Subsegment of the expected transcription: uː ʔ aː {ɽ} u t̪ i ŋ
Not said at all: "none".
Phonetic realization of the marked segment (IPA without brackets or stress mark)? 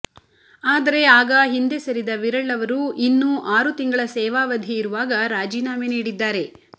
ɾ